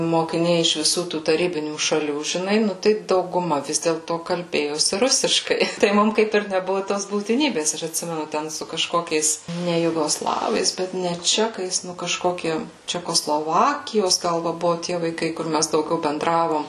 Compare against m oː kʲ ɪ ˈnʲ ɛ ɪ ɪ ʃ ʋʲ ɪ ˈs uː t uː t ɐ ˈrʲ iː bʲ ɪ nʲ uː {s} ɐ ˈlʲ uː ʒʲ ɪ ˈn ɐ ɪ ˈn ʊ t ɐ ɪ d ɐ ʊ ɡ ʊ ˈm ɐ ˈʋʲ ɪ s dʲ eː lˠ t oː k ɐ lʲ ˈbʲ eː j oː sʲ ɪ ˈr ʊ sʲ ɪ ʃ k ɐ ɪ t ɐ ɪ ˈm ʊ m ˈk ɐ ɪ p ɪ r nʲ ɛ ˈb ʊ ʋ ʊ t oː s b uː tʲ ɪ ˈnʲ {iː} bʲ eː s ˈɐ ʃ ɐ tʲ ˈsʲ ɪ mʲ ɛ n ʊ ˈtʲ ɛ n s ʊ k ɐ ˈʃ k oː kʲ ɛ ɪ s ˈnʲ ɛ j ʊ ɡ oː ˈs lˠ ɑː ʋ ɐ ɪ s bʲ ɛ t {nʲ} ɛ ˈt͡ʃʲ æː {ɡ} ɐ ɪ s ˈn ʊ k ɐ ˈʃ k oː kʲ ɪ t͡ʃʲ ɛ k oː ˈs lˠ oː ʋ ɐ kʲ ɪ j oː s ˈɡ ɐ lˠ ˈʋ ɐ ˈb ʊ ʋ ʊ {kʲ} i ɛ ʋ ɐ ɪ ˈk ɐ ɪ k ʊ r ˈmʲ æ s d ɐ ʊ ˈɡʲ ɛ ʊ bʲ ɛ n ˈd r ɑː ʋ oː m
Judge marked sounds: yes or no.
no, yes, yes, no, no

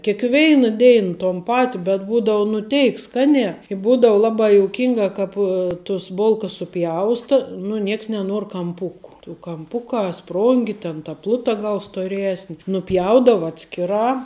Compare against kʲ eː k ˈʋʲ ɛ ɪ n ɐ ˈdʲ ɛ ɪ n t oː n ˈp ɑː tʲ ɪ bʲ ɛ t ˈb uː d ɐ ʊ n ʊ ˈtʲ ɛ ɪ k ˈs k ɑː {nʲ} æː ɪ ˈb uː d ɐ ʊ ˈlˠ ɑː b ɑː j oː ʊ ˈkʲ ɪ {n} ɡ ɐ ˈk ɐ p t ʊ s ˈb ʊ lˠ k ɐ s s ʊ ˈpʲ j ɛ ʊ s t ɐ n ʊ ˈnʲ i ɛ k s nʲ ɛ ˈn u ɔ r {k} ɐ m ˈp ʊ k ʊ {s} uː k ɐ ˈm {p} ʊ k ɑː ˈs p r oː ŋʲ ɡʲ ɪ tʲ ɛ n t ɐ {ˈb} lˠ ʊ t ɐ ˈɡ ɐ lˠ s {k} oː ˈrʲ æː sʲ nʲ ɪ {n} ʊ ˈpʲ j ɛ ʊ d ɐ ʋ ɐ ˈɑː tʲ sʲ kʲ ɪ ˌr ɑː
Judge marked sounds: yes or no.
yes, no, yes, no, yes, no, no, yes

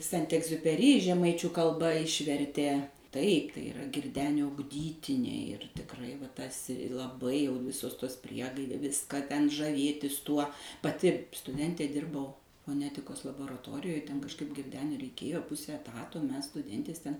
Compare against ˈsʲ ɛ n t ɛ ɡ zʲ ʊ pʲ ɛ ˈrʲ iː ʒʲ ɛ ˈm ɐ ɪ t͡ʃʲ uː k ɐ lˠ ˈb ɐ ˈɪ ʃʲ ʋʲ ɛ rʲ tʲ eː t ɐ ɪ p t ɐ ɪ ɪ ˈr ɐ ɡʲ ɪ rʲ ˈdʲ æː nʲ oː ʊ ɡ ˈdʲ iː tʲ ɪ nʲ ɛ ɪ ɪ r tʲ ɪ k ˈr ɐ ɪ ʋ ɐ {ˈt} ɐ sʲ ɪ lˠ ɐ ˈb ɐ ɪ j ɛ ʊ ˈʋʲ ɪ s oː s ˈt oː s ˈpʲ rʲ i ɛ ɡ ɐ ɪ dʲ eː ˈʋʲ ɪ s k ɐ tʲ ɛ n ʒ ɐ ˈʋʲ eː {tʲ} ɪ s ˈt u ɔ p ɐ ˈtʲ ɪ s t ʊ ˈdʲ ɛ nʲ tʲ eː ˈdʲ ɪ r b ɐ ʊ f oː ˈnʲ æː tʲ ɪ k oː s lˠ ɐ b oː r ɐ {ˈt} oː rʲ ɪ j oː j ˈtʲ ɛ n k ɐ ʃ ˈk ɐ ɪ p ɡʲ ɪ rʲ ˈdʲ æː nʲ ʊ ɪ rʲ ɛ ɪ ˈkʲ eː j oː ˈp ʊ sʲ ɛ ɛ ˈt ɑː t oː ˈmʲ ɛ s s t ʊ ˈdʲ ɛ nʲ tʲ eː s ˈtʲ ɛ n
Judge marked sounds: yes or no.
yes, yes, yes

